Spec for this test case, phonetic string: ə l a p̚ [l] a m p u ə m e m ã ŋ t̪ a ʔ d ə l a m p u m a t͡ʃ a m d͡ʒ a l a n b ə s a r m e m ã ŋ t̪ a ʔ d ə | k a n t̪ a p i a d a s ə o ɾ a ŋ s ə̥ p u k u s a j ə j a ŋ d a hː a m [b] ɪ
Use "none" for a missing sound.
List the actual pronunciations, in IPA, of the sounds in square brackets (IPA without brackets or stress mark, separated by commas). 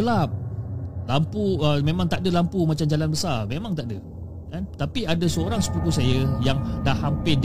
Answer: l, p